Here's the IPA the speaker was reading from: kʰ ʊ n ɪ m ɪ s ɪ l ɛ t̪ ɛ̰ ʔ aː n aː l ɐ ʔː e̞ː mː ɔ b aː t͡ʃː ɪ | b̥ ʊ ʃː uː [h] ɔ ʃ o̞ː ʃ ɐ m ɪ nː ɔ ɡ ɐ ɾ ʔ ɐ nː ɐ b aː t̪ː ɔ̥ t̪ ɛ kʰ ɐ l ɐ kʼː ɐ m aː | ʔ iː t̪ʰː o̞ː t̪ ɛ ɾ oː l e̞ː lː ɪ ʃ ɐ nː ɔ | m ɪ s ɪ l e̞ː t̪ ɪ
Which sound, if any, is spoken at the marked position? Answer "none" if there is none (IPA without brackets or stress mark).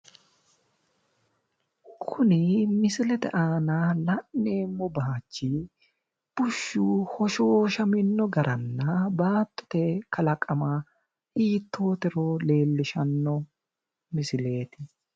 h